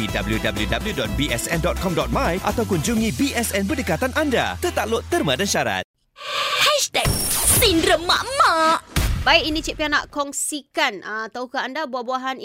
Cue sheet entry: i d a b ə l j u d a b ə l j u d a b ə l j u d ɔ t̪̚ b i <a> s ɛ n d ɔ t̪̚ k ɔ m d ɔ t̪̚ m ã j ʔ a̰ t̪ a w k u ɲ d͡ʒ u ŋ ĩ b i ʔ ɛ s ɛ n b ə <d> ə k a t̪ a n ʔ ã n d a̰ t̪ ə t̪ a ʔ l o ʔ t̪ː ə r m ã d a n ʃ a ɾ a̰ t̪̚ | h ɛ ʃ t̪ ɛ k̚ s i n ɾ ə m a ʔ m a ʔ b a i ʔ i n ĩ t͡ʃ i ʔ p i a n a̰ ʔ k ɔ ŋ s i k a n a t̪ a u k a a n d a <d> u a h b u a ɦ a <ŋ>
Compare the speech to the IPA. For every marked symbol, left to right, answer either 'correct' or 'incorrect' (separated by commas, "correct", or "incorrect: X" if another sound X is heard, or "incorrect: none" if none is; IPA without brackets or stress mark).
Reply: incorrect: ɛ, correct, incorrect: b, incorrect: n